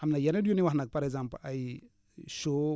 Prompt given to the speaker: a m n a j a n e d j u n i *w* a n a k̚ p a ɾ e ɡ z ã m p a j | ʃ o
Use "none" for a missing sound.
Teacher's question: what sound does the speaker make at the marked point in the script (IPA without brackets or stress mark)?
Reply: w